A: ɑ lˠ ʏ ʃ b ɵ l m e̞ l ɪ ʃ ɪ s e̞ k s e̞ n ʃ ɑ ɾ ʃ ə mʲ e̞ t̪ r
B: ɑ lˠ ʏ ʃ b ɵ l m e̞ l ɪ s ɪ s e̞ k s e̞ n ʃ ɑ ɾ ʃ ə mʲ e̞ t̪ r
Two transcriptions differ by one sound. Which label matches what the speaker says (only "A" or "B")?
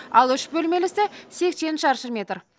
B